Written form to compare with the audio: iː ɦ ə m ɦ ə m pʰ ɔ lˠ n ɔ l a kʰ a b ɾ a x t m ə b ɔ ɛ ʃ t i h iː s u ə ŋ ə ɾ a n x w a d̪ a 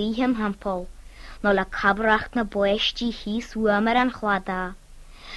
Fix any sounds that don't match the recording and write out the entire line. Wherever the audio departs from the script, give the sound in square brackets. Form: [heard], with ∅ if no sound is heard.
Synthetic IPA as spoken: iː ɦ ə m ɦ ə m pʰ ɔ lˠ n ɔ l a kʰ a b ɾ a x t [n] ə b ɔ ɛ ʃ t i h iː s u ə [m] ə ɾ a n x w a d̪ a